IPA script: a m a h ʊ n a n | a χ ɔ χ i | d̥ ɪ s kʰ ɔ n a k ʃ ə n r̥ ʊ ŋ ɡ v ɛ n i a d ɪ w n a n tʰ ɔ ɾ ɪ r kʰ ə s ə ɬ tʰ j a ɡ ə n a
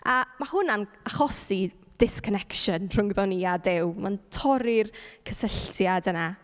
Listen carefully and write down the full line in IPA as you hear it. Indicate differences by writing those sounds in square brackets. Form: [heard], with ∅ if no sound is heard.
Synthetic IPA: a m a h ʊ n a n | a χ ɔ [s] i | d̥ ɪ s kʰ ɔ n [ɛ] k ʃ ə n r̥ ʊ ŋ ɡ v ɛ n i a d ɪ w [m] a n tʰ ɔ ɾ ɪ r kʰ ə s ə ɬ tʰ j a [d] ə n a